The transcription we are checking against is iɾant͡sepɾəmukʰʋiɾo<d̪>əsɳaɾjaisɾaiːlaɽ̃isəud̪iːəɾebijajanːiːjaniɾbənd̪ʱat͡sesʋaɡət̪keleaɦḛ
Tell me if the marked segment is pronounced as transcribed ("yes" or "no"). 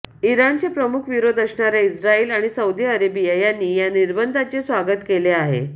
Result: yes